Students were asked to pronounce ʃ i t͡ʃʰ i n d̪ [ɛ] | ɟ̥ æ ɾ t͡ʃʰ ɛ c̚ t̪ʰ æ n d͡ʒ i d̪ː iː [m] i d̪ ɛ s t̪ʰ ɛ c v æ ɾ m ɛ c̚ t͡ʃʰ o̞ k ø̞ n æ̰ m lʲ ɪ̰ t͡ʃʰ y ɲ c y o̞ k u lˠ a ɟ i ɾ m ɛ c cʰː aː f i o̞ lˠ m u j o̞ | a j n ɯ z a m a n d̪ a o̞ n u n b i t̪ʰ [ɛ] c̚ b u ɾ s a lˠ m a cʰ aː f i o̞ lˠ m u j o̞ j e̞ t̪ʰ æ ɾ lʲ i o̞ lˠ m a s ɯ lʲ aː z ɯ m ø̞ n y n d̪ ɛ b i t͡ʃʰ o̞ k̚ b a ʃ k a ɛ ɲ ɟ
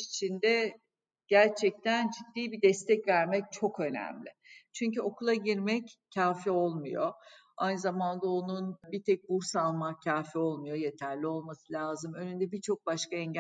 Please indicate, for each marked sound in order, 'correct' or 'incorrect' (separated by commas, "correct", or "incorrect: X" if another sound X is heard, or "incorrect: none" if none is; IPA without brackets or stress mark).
correct, incorrect: b, correct